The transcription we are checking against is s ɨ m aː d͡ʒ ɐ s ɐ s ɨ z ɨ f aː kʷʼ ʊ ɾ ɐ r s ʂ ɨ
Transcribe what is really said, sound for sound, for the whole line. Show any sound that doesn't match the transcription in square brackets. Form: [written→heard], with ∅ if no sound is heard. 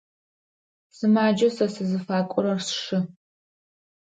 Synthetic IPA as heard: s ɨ m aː d͡ʒ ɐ s ɐ s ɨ z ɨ f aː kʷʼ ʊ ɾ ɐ r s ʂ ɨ

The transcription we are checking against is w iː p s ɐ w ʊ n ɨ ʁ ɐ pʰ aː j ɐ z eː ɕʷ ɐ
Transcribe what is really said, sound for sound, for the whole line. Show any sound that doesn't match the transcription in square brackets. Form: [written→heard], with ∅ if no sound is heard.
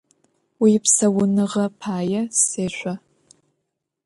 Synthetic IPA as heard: w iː p s ɐ w ʊ n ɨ ʁ ɐ pʰ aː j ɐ [z→s] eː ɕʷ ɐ

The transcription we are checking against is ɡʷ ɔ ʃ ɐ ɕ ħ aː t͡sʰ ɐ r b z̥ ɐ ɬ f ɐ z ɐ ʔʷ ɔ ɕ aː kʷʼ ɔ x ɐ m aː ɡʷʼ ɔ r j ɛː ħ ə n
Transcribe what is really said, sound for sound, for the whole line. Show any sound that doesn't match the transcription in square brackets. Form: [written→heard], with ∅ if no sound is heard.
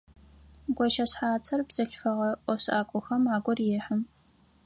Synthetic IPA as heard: ɡʷ ɔ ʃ ɐ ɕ ħ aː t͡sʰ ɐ r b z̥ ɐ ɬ f ɐ [z→ʁ] ɐ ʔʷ ɔ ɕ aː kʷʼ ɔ x ɐ m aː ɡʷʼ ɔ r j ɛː ħ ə [n→m]

